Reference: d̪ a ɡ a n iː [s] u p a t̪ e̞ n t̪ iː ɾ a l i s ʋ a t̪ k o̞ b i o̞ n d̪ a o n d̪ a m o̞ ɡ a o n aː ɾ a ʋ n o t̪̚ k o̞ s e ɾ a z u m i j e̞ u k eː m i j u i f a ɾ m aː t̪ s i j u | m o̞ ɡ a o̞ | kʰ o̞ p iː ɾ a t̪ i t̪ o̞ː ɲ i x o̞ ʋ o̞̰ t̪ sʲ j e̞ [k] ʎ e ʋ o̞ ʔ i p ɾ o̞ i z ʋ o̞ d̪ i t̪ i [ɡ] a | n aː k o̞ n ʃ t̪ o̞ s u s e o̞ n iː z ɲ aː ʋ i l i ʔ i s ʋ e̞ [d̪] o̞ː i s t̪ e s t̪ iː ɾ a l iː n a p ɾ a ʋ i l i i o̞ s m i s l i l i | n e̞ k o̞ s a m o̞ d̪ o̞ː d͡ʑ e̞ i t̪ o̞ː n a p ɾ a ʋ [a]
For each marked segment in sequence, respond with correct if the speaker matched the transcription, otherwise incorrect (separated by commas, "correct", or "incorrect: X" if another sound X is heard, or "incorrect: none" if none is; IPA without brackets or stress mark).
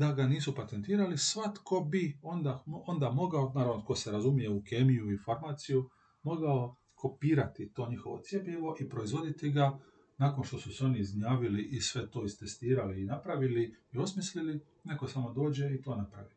correct, incorrect: p, correct, incorrect: t̪, incorrect: i